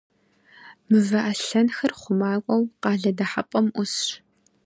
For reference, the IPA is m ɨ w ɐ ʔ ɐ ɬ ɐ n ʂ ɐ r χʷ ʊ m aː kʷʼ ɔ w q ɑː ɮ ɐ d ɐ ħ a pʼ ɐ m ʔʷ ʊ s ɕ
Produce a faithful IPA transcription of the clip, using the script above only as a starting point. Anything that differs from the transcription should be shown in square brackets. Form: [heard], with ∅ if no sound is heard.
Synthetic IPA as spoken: m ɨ [v] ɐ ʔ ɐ ɬ ɐ n [x] ɐ r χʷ ʊ m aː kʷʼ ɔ w q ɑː ɮ ɐ d ɐ ħ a pʼ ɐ m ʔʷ ʊ s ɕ